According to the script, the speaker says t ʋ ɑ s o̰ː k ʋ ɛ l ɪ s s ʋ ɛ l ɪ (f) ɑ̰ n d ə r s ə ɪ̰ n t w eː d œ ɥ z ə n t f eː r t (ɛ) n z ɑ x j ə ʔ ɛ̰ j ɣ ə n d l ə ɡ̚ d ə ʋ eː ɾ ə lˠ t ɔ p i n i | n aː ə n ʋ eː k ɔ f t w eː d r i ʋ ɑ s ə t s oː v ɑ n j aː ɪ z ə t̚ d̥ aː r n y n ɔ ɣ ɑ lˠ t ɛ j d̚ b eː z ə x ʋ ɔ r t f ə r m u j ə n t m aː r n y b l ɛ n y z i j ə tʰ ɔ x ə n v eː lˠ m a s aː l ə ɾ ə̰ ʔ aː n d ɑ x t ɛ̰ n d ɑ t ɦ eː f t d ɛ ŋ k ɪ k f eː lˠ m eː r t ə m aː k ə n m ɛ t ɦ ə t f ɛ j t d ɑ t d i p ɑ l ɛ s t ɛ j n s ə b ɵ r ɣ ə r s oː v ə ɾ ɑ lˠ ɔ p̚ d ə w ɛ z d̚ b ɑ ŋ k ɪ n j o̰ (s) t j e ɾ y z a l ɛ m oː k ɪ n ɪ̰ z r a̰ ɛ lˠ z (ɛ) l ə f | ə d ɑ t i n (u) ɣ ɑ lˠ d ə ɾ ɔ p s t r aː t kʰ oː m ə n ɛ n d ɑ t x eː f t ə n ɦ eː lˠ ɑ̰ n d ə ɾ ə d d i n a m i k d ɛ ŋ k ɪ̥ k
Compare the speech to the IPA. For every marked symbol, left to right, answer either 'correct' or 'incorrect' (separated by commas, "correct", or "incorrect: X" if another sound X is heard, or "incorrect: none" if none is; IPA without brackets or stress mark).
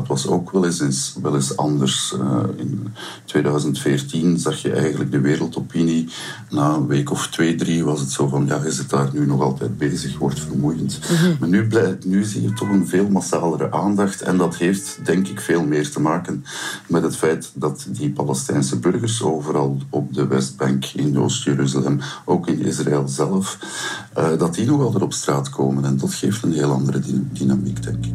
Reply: incorrect: s, incorrect: i, correct, correct, incorrect: ɔ